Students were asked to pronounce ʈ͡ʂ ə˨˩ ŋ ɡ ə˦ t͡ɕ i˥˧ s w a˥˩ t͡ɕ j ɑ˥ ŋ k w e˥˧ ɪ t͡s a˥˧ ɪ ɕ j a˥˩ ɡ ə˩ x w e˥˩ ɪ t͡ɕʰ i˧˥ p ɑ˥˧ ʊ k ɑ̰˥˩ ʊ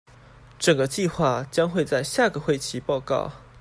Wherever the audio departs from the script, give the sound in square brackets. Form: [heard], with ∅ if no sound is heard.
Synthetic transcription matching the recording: ʈ͡ʂ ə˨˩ ŋ ɡ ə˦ t͡ɕ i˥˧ [x] w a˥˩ t͡ɕ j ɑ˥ ŋ [x] w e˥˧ ɪ t͡s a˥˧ ɪ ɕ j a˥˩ ɡ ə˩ x w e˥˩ ɪ t͡ɕʰ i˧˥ p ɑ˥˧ ʊ k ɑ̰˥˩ ʊ